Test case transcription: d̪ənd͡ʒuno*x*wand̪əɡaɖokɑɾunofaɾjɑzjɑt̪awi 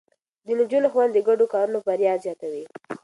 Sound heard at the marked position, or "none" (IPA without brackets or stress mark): x